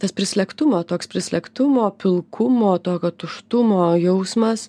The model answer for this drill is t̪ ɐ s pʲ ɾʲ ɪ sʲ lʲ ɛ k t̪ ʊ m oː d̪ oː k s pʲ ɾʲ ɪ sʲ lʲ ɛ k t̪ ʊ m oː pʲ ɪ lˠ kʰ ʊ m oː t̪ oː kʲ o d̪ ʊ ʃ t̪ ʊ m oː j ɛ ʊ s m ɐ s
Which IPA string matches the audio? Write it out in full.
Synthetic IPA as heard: t̪ ɐ s pʲ ɾʲ ɪ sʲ lʲ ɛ k t̪ ʊ m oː t̪ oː k s pʲ ɾʲ ɪ sʲ lʲ ɛ k t̪ ʊ m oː pʲ ɪ lˠ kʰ ʊ m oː t̪ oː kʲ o t̪ ʊ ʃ t̪ ʊ m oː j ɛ ʊ s m ɐ s

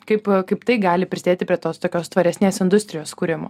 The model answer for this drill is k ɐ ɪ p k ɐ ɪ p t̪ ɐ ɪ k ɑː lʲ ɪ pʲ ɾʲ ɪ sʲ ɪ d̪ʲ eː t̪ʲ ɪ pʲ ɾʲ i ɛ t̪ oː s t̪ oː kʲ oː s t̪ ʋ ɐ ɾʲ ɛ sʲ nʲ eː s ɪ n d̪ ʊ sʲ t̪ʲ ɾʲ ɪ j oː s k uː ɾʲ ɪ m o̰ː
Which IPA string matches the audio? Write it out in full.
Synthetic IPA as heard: k ɐ ɪ p k ɐ ɪ p t̪ ɐ ɪ ɡ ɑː lʲ ɪ pʲ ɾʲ ɪ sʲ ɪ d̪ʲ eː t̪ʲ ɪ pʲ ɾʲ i ɛ t̪ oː s t̪ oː kʲ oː s t̪ ʋ ɐ ɾʲ ɛ sʲ nʲ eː s ɪ n d̪ ʊ sʲ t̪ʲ ɾʲ ɪ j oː s k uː ɾʲ ɪ m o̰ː

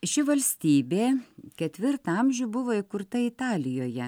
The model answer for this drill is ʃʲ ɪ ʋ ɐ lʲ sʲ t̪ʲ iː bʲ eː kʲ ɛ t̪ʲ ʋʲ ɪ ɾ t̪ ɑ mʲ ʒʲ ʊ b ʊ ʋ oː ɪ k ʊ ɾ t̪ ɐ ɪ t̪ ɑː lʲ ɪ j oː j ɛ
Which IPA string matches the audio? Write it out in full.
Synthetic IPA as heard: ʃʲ ɪ ʋ ɐ lʲ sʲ t̪ʲ iː bʲ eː kʲ ɛ t̪ʲ ʋʲ ɪ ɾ t̪ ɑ mʲ ʒʲ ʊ b ʊ ʋ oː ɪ k ʊ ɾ t̪ ɐ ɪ t̪ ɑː lʲ ɪ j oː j ɛ

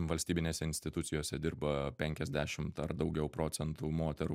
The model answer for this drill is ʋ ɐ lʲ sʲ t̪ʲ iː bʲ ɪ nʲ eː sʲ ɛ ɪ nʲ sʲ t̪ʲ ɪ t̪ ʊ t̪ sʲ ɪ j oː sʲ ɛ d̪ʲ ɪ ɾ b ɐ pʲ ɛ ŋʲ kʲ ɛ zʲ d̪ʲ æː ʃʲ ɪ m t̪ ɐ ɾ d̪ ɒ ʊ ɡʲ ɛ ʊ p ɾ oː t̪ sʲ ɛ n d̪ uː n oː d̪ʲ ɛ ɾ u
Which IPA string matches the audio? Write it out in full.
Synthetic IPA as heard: ʋ ɐ lʲ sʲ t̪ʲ iː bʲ ɪ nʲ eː sʲ ɛ ɪ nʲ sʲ t̪ʲ ɪ t̪ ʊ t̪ sʲ ɪ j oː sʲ ɛ d̪ʲ ɪ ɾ b ɐ pʲ ɛ ŋʲ kʲ ɛ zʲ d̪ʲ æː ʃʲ ɪ m t̪ ɐ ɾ d̪ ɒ ʊ ɡʲ ɛ ʊ p ɾ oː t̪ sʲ ɛ n t̪ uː m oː t̪ʲ ɛ ɾ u

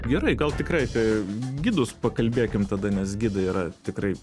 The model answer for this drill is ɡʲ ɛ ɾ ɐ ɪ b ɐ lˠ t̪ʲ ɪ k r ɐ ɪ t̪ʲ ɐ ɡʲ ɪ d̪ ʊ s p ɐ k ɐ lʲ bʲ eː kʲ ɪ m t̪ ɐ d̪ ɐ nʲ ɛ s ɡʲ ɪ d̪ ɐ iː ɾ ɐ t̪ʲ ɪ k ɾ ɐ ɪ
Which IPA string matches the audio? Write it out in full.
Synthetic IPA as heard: ɡʲ ɛ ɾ ɐ ɪ ɡ ɐ lˠ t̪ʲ ɪ k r ɐ ɪ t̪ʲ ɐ ɡʲ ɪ d̪ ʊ s p ɐ k ɐ lʲ bʲ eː kʲ ɪ m t̪ ɐ d̪ ɐ nʲ ɛ s ɡʲ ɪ d̪ ɐ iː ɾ ɐ t̪ʲ ɪ k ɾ ɐ ɪ

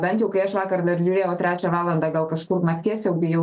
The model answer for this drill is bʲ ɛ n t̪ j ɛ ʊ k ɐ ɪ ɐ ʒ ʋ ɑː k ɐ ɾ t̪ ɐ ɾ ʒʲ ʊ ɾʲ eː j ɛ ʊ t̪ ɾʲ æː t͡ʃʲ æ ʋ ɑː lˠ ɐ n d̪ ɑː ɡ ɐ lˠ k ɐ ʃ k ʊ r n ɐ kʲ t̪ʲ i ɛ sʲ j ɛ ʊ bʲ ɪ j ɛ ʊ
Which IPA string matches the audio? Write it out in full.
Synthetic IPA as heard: bʲ ɛ n t̪ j ɛ ʊ k ɐ ɪ ɐ ʃ ʋ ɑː k ɐ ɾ d̪ ɐ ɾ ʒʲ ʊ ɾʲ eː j ɛ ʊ t̪ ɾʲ æː t͡ʃʲ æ ʋ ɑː lˠ ɐ n d̪ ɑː ɡ ɐ lˠ k ɐ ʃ k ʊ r n ɐ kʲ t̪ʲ i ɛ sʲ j ɛ ʊ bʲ ɪ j ɛ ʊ

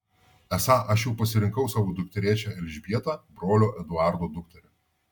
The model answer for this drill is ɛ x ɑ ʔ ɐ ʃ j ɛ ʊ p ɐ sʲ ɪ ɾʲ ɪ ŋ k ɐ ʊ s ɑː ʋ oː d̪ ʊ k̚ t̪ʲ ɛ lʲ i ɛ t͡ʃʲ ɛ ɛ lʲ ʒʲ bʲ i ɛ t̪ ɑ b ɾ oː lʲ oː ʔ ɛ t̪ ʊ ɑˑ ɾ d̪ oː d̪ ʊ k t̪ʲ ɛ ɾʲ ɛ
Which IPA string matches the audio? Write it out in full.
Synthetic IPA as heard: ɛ s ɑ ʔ ɐ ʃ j ɛ ʊ p ɐ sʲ ɪ ɾʲ ɪ ŋ k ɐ ʊ s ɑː ʋ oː d̪ ʊ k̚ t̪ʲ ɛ ɾʲ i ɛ t͡ʃʲ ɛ ɛ lʲ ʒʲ bʲ i ɛ t̪ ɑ b ɾ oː lʲ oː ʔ ɛ d̪ ʊ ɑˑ ɾ d̪ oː d̪ ʊ k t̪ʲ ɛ ɾʲ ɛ

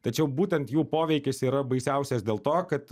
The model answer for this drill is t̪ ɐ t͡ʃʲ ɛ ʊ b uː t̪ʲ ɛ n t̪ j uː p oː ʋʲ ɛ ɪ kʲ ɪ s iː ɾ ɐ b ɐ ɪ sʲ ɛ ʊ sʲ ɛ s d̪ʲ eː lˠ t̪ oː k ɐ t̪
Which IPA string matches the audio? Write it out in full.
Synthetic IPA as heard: t̪ ɐ t͡ʃʲ ɛ ʊ b uː t̪ʲ ɛ n t̪ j uː p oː ʋʲ ɛ ɪ kʲ ɪ s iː ɾ ɐ b ɐ ɪ sʲ ɛ ʊ sʲ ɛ s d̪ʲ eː lˠ t̪ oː k ɐ t̪

